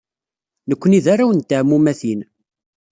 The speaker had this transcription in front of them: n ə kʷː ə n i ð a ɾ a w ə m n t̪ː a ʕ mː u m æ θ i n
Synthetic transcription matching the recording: n ə kʷː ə n i ð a ɾ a w ə n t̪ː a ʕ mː u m æ θ i n